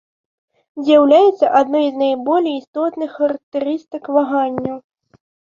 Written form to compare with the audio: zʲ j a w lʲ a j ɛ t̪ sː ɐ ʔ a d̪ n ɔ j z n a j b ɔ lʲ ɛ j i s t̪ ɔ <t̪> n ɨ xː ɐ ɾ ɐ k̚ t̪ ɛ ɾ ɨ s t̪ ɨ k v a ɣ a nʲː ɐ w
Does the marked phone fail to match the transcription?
no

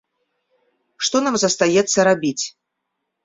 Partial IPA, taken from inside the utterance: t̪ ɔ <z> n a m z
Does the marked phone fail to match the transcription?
yes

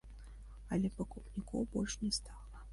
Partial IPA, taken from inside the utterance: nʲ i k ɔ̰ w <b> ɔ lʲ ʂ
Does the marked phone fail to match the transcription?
no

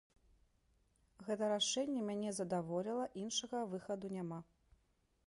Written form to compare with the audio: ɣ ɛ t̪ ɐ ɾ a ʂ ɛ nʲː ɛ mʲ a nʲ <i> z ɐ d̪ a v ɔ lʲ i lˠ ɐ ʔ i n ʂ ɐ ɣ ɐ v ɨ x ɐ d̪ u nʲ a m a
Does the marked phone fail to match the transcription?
yes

